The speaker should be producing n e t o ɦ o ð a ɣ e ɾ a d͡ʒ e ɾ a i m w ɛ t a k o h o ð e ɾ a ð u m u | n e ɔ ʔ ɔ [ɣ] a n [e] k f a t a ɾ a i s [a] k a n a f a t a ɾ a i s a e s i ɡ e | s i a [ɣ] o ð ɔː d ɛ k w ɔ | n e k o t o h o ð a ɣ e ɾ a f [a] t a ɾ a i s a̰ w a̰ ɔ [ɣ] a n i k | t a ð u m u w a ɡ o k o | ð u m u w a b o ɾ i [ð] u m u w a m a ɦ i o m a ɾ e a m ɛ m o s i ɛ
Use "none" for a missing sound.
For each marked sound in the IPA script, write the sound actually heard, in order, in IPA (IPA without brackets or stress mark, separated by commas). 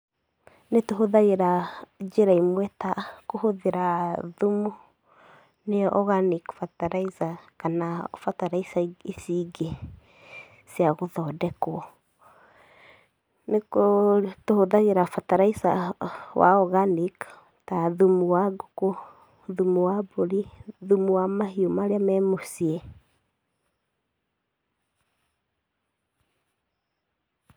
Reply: ɣ, i, a, ɣ, a, ɣ, ð